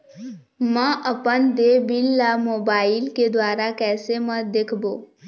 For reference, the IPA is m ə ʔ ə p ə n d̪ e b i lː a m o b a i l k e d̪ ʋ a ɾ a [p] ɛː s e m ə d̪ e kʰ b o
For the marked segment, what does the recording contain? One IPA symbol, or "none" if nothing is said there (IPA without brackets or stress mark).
k